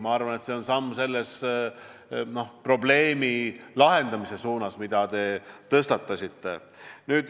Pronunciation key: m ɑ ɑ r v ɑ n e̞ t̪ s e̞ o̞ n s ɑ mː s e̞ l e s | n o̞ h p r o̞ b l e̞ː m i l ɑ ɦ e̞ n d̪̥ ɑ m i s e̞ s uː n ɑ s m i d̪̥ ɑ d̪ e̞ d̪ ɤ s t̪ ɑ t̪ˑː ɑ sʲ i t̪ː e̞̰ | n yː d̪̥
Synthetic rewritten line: m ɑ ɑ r v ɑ n e̞ t̪ s e̞ o̞ n s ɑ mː s e̞ lː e s | n o̞ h p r o̞ b l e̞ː m i l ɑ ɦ e̞ n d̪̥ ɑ m i s e̞ s uː n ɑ s m i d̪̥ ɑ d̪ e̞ t̪ ɤ s t̪ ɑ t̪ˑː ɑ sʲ i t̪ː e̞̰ | n yː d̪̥

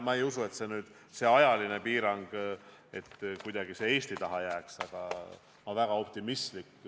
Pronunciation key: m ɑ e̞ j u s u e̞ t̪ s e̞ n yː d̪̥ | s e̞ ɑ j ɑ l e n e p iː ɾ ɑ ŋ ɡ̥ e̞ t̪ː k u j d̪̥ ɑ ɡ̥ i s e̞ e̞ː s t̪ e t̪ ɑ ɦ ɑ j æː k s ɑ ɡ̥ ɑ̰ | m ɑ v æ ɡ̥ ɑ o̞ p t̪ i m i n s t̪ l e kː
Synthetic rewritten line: m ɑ e̞ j u s u e̞ t̪ s e̞ n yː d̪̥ | s e̞ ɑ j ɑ l i n e p iː ɾ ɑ ŋ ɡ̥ e̞ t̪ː k u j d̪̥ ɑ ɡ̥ i s e̞ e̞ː s t̪ i t̪ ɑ ɦ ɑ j æː k s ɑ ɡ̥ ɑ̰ | m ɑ v æ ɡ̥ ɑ o̞ p t̪ i m i s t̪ l i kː

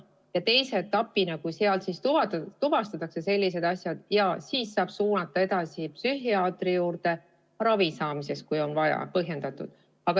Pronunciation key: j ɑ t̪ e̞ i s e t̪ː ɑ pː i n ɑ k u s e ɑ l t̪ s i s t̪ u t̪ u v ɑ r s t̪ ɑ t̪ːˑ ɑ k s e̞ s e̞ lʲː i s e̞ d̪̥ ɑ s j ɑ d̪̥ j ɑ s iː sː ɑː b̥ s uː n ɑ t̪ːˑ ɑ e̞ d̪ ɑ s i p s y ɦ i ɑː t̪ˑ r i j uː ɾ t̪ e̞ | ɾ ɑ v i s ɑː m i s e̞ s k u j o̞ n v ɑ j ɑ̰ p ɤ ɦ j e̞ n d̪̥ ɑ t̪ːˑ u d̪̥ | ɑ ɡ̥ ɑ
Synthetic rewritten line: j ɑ t̪ e̞ j s e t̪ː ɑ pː i n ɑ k u s e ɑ l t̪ s i s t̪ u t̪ u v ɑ s t̪ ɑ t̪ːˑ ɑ k s e̞ s e̞ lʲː i s e̞ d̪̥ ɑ s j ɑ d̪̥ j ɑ s iː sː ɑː b̥ s uː n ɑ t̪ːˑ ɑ e̞ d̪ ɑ s i p s y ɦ i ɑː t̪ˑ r i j uː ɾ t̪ e̞ | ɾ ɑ v i s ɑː m i s e̞ s k u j o̞ n v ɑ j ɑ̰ p ɤ ɦ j e̞ n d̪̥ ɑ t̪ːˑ u d̪̥ | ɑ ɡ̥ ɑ

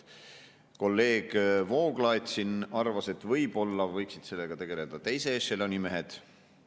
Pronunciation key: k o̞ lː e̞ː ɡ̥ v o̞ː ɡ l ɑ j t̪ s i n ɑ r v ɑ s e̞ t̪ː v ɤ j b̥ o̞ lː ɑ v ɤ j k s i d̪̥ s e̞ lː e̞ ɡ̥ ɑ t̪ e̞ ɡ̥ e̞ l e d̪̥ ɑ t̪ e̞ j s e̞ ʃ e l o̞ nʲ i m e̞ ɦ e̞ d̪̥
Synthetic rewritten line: k o̞ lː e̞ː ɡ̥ v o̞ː ɡ l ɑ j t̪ s i n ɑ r v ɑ s e̞ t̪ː v ɤ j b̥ o̞ lː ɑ v ɤ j k s i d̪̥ s e̞ lː e̞ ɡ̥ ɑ t̪ e̞ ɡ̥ e̞ l e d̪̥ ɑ t̪ e̞ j s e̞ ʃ e l o̞ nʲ i m e̞ ɦ e̞ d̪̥

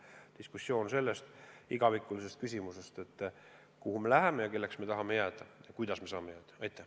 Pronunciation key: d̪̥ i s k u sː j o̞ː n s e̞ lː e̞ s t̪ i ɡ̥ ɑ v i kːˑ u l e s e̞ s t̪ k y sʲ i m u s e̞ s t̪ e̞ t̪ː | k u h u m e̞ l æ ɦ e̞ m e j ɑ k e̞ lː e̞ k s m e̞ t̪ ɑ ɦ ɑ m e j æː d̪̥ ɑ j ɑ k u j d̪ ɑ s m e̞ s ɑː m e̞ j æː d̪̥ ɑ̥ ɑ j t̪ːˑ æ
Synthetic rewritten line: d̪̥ i s k u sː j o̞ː n s e̞ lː e̞ s t̪ i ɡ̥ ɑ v i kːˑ u l i s e̞ s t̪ k y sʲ i m u s e̞ s t̪ e̞ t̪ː | k u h u m e̞ l æ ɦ e̞ m e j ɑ k e̞ lː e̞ k s m e̞ t̪ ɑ ɦ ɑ m e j æː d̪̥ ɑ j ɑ k u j d̪ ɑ s m e̞ s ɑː m e̞ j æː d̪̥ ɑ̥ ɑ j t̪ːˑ æ

